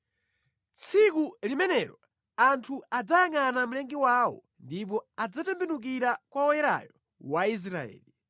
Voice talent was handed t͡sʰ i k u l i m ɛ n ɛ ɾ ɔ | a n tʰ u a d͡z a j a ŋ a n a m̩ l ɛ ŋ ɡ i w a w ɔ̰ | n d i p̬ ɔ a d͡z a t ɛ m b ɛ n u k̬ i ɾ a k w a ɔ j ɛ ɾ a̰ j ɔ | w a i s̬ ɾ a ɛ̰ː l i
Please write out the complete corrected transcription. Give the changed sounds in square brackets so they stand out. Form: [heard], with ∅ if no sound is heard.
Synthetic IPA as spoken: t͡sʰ i k u l i m ɛ n ɛ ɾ ɔ | a n tʰ u a d͡z a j a ŋ a n a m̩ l ɛ ŋ ɡ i w a w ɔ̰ | n d i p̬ ɔ a d͡z a t ɛ m b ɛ n u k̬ i ɾ a k w a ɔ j ɛ ɾ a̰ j ɔ | w a i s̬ ɾ a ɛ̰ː l i